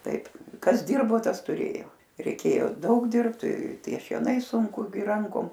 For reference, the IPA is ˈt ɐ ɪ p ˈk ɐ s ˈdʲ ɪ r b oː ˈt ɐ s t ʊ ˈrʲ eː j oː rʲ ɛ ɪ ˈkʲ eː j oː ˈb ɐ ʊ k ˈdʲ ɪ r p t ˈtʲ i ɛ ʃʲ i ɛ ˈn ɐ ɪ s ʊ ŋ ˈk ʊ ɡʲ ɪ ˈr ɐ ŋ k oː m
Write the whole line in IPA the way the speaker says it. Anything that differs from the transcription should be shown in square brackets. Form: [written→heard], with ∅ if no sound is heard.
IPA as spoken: ˈt ɐ ɪ p ˈk ɐ s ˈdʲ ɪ r b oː ˈt ɐ s t ʊ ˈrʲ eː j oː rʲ ɛ ɪ ˈkʲ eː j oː [ˈb→ˈd] ɐ ʊ k ˈdʲ ɪ r p t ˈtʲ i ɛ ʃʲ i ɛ ˈn ɐ ɪ s ʊ ŋ ˈk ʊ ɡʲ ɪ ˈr ɐ ŋ k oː m